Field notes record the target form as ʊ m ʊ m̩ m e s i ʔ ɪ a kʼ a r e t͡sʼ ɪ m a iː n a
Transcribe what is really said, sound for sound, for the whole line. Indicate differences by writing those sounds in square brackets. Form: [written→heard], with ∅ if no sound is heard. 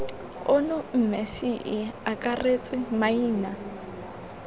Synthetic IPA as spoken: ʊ [m→n] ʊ m̩ m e s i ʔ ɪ a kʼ a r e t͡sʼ ɪ m a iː n a